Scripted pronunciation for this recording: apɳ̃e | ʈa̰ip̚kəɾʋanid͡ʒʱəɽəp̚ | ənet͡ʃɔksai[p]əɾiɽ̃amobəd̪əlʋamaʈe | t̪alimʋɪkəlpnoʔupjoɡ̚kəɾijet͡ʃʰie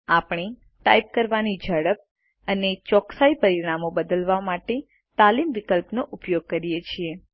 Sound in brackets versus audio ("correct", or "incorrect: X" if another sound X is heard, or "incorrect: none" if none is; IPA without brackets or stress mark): correct